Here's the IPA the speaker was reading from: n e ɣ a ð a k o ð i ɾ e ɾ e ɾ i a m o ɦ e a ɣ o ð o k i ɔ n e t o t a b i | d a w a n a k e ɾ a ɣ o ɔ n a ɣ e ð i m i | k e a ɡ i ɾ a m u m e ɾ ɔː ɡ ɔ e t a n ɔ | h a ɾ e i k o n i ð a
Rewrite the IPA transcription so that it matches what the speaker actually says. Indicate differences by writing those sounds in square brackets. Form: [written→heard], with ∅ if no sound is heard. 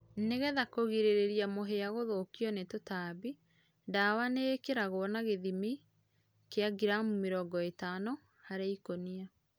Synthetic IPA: n e ɣ [a→ɛ] ð a k o [ð→ɣ] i ɾ e ɾ e ɾ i a m o ɦ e a ɣ o ð o k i ɔ n e t o t a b i | d a w a n [a→e] k e ɾ a ɣ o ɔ n a ɣ e ð i m i | k e a ɡ i ɾ a m u m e ɾ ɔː ɡ ɔ e t a n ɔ | h a ɾ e i k o n i [ð→∅] a